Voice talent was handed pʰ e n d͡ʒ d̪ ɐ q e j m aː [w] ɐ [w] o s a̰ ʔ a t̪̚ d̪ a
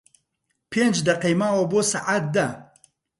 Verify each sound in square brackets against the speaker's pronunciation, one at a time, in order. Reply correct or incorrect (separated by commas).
correct, incorrect